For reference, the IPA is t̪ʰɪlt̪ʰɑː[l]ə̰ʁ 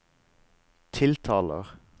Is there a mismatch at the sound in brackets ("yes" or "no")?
no